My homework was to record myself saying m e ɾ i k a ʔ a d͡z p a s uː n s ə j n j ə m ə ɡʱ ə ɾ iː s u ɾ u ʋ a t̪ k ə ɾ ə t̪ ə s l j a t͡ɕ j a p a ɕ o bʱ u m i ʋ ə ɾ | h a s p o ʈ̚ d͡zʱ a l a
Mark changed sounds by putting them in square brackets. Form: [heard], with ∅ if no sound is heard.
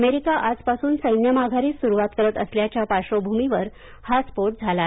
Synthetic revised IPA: m e ɾ i k a ʔ a d͡z p a s uː n s ə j n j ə m [a] ɡʱ [a] ɾ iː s u ɾ u ʋ a t̪ k ə ɾ ə t̪ ə s l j a t͡ɕ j a p a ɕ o bʱ u m i ʋ ə ɾ | h a s p o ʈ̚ d͡zʱ a l a